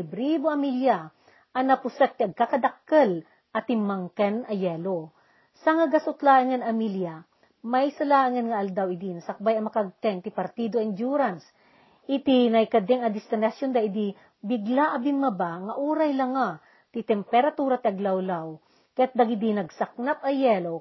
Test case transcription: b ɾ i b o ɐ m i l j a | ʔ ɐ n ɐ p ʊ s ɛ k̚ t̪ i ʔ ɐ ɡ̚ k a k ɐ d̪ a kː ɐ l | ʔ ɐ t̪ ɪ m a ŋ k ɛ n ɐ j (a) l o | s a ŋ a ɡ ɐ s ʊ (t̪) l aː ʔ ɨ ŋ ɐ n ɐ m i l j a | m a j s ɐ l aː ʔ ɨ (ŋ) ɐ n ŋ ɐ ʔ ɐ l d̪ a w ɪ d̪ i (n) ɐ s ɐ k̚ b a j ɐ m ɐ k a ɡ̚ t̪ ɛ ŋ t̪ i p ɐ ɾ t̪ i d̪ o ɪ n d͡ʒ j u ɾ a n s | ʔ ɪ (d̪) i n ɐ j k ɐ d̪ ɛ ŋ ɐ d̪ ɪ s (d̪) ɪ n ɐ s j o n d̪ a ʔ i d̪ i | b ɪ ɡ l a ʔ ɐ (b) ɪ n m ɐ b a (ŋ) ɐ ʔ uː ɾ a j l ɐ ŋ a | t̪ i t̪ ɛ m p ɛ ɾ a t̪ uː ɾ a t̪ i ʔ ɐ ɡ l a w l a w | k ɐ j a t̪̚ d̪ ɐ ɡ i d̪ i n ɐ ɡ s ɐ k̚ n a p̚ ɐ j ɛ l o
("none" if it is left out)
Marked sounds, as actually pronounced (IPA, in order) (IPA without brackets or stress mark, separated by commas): ɛ, t̪, ŋ, n, t̪, t̪, b, ŋ